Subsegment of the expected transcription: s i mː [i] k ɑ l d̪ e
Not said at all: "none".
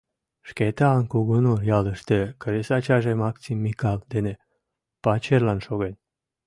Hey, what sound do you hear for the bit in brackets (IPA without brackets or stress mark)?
i